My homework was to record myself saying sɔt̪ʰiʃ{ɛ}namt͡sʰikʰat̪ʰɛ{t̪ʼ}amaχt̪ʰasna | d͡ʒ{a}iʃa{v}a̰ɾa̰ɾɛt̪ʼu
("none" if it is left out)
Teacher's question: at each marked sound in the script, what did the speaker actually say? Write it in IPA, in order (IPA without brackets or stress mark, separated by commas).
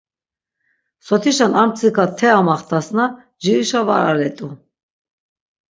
a, none, i, v